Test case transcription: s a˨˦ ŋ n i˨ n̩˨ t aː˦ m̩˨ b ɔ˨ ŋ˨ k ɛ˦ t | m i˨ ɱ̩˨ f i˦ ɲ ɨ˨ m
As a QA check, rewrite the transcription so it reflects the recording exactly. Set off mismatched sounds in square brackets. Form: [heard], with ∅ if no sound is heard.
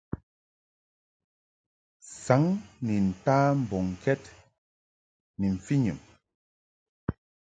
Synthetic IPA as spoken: s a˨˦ ŋ n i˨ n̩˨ t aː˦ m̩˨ b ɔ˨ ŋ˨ k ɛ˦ t | [n] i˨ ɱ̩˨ f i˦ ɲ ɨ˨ m